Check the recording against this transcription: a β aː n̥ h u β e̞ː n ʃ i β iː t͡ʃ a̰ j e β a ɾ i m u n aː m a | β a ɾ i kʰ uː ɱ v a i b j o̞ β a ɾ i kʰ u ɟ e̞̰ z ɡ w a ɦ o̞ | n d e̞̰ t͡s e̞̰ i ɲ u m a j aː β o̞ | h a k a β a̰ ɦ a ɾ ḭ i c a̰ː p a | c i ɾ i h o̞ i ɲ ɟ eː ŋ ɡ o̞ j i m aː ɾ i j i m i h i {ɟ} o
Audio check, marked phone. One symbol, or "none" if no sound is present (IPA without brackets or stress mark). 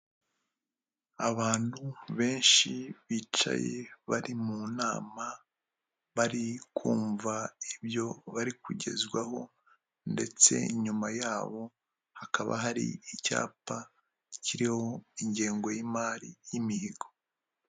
ɡ